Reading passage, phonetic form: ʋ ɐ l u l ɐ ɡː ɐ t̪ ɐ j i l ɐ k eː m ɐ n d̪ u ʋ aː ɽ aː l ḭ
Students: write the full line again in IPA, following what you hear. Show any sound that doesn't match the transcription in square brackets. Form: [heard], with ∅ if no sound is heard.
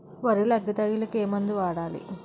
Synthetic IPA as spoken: ʋ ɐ [ɾ] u l ɐ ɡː ɐ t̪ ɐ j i l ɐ k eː m ɐ n d̪ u ʋ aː ɽ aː l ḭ